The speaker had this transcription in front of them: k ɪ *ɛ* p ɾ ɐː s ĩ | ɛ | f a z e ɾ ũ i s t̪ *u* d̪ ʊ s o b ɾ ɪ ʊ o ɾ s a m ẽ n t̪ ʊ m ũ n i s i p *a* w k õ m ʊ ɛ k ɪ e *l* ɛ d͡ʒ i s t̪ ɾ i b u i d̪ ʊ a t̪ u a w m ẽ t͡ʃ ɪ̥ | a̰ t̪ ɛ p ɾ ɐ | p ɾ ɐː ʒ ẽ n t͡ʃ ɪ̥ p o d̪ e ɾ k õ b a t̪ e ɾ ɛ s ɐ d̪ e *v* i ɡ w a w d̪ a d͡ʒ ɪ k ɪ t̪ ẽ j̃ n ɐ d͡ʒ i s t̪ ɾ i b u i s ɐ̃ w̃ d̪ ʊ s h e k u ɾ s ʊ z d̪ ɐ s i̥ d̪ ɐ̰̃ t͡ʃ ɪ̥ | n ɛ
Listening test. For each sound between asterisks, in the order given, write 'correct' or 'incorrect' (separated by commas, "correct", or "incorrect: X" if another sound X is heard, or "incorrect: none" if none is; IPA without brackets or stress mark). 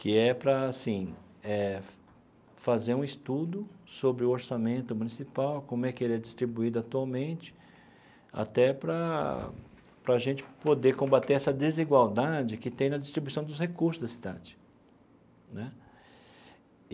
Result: correct, correct, correct, correct, incorrect: z